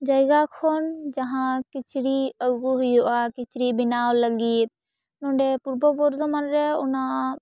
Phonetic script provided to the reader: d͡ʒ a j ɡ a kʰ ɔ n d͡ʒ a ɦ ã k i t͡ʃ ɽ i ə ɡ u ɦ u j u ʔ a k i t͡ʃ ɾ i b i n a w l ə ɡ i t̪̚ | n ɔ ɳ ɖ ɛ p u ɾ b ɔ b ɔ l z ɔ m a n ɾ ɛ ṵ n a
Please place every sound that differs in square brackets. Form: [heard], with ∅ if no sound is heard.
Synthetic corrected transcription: d͡ʒ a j ɡ a kʰ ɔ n d͡ʒ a ɦ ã k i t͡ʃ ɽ i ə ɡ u ɦ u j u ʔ a k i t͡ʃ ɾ i b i n a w l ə ɡ i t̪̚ | n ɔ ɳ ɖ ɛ p u ɾ b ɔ b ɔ [ɾ] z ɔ m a n ɾ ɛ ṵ n a